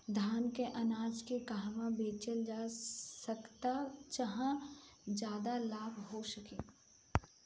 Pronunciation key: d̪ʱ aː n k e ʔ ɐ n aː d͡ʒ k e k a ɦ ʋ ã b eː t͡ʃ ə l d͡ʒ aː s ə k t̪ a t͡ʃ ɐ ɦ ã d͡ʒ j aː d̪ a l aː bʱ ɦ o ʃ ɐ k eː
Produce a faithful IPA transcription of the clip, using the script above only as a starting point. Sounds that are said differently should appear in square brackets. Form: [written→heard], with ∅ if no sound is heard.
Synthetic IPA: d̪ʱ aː n k e ʔ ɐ n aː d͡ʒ k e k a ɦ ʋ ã b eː t͡ʃ ə l d͡ʒ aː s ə k t̪ a t͡ʃ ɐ ɦ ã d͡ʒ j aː d̪ a l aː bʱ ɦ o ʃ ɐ k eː